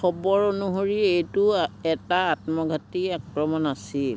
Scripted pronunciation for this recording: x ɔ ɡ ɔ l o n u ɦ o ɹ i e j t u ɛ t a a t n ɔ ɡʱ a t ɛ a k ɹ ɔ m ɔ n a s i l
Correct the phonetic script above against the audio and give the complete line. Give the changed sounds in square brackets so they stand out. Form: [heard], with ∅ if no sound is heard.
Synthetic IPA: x ɔ [b] ɔ [ɹ] o n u ɦ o ɹ i e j t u ɛ t a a t [m] ɔ ɡʱ a t [i] a k ɹ ɔ m ɔ n a s i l